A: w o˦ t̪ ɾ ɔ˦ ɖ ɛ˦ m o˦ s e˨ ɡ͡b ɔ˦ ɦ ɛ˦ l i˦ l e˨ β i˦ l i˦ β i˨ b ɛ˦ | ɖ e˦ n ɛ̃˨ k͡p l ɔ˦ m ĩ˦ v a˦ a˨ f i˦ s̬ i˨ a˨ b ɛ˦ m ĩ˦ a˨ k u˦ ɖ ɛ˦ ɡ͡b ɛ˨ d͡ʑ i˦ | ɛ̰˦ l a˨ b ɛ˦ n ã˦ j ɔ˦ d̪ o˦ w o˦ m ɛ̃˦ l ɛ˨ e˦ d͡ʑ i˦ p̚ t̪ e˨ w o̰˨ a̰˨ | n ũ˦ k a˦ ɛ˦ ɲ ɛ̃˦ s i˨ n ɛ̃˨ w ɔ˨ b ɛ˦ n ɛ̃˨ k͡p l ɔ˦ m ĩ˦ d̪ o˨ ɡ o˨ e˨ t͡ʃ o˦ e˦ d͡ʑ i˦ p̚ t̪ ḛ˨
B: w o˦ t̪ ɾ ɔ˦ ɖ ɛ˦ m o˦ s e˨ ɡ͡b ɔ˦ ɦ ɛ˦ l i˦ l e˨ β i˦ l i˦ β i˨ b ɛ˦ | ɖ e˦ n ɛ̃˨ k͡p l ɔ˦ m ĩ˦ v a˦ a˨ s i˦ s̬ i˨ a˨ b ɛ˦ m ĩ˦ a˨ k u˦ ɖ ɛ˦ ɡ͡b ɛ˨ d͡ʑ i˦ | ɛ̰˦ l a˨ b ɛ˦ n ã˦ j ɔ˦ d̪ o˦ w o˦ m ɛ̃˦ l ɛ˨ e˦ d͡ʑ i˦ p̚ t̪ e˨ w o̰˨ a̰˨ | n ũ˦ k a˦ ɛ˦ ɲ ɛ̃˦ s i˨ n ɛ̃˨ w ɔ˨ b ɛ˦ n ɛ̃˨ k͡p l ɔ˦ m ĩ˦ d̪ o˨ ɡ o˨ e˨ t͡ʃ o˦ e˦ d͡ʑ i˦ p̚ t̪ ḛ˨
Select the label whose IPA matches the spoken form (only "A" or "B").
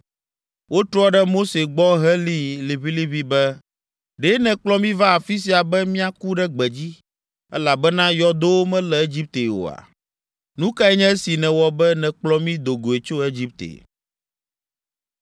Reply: A